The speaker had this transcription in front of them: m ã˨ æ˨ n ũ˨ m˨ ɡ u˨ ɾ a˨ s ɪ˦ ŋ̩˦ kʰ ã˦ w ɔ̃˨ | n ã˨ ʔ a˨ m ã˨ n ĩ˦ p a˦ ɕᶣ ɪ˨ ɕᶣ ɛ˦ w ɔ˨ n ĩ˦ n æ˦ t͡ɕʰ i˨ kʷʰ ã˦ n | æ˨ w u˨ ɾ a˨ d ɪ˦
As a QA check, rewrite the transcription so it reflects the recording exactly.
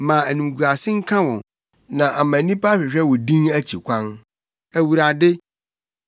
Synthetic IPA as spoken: m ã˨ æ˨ n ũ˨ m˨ ɡ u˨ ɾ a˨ s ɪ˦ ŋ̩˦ kʰ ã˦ w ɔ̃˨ | n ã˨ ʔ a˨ m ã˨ n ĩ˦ p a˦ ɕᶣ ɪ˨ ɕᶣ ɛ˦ w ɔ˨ d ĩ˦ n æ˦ t͡ɕʰ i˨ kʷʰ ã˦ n | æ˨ w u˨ ɾ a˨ d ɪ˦